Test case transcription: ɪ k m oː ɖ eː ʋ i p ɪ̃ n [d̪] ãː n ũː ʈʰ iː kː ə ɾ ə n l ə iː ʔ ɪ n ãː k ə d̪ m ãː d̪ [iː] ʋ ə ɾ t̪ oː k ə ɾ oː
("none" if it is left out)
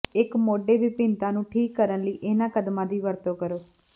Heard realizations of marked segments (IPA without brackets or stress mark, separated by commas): t̪, iː